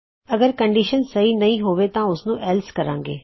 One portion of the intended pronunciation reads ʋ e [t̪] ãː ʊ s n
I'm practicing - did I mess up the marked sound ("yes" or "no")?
no